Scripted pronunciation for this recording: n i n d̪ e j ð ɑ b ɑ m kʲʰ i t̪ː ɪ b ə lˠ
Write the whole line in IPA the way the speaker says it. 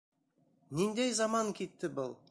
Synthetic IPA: n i n d̪ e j z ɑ m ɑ ŋ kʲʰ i t̪ː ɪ b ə lˠ

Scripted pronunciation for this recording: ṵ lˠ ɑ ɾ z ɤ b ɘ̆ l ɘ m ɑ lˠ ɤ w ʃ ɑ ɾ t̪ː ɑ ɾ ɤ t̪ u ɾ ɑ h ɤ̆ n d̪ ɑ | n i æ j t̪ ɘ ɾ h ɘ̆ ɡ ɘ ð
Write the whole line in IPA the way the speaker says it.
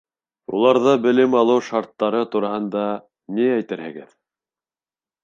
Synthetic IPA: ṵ lˠ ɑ ɾ ð ɤ b ɘ̆ l ɘ m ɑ lˠ ɤ w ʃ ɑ ɾ t̪ː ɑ ɾ ɤ t̪ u ɾ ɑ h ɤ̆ n d̪ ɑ | n i æ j t̪ ɘ ɾ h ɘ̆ ɡ ɘ ð

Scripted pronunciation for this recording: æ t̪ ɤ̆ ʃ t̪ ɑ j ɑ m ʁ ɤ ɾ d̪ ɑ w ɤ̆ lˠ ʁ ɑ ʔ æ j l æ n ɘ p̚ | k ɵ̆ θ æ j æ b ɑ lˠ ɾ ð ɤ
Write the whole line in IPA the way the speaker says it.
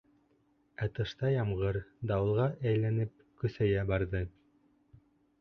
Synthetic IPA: æ t̪ ɤ̆ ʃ t̪ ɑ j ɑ m ʁ ɤ ɾ d̪ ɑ w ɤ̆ lˠ ʁ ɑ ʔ æ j l æ n ɘ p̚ | k ɵ̆ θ æ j æ b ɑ ɾ ð ɤ

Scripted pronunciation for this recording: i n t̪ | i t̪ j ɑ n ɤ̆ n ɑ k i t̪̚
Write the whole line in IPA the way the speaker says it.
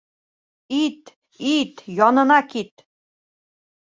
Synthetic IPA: i t̪ | i t̪ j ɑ n ɤ̆ n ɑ k i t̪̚

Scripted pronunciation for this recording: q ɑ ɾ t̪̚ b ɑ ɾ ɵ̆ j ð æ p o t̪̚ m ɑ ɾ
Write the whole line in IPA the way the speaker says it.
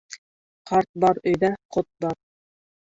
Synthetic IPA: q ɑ ɾ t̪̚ b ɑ ɾ ɵ̆ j ð æ q o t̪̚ b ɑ ɾ

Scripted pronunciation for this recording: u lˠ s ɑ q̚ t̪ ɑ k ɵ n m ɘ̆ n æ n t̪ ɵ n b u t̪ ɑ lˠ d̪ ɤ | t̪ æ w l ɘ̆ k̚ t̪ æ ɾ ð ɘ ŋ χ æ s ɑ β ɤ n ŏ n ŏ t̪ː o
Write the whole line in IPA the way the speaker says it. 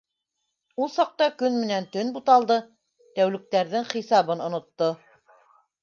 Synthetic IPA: u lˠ s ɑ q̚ t̪ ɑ k ɵ n m ɘ̆ n æ n t̪ ɵ n b u t̪ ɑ lˠ d̪ ɤ | t̪ æ w l ɘ̆ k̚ t̪ æ ɾ ð ɘ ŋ χ i s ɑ β ɤ n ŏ n ŏ t̪ː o

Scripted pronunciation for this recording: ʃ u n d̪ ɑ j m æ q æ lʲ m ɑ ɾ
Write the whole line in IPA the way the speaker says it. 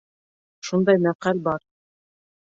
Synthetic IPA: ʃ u n d̪ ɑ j m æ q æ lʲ b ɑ ɾ

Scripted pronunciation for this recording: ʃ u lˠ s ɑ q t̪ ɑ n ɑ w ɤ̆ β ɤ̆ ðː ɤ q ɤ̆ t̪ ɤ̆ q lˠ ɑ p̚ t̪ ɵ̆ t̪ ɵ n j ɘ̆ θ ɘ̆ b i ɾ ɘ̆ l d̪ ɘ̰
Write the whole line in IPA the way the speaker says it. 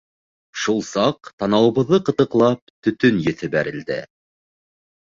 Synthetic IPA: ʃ u lˠ s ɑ q t̪ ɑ n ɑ w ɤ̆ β ɤ̆ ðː ɤ q ɤ̆ t̪ ɤ̆ q lˠ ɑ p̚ t̪ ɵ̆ t̪ ɵ n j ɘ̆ θ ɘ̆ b æ ɾ ɘ̆ l d̪ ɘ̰

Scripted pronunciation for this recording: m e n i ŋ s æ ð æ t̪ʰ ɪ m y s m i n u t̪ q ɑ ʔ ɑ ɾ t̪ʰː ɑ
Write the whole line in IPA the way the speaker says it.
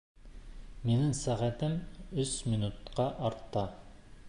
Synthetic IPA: m e n ɪ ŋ s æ ʁ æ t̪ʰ ɪ m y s m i n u t̪ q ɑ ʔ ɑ ɾ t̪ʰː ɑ

